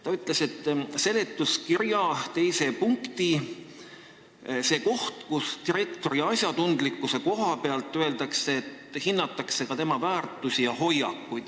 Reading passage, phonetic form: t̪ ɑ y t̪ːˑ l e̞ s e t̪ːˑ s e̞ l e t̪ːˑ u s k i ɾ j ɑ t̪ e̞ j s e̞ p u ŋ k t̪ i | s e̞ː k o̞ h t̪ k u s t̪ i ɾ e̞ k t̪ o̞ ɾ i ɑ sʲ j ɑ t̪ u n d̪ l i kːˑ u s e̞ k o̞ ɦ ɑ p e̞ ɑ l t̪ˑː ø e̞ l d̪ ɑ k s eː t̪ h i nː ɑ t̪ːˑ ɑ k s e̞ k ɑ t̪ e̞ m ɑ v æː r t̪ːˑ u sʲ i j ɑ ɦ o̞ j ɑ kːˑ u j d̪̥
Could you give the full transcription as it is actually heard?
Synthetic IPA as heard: t̪ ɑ y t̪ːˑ l e̞ s e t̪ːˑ s e̞ l e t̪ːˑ u s k i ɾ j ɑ t̪ e̞ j s e̞ p u ŋ k t̪ i | s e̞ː k o̞ h t̪ k u s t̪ i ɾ e̞ k t̪ o̞ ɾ i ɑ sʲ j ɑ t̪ u n d̪ l i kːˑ u s e̞ k o̞ ɦ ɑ p e̞ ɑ l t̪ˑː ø e̞ l d̪ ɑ k s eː t̪ h i nː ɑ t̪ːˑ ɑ k s e̞ k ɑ t̪ e̞ m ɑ v æː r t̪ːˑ u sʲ i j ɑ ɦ o̞ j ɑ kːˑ u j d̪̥